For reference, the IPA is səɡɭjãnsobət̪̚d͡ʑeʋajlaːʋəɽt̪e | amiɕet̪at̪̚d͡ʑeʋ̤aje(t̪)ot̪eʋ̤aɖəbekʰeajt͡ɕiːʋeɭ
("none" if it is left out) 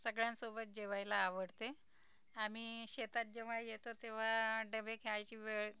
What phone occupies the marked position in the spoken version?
t̪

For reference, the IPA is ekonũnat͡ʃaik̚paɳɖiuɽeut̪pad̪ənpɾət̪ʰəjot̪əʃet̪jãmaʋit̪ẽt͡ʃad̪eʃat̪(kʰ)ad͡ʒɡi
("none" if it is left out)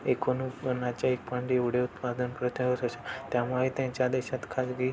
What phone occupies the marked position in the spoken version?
kʰ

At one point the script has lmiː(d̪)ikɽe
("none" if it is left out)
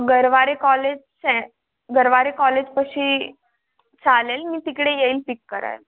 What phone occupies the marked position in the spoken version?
t̪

